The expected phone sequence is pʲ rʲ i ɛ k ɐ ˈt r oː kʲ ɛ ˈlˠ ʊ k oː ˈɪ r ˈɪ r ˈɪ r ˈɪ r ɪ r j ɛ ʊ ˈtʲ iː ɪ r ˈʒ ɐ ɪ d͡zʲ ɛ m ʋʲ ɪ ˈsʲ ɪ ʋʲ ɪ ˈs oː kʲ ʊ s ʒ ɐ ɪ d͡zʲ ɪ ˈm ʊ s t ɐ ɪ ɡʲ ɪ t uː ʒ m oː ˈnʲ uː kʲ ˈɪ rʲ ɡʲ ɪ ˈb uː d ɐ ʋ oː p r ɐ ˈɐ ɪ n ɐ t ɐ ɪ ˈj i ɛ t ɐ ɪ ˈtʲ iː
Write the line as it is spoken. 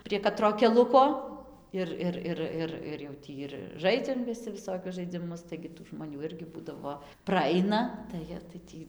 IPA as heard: pʲ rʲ i ɛ k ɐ ˈt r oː kʲ ɛ ˈlˠ ʊ k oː ˈɪ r ˈɪ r ˈɪ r ˈɪ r ɪ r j ɛ ʊ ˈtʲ iː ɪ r ˈʒ ɐ ɪ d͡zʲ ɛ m ʋʲ ɪ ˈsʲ ɪ ʋʲ ɪ ˈs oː kʲ ʊ s ʒ ɐ ɪ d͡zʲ ɪ ˈm ʊ s t ɐ ɪ ɡʲ ɪ t uː ʒ m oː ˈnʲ uː ˈɪ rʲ ɡʲ ɪ ˈb uː d ɐ ʋ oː p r ɐ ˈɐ ɪ n ɐ t ɐ ɪ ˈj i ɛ t ɐ ɪ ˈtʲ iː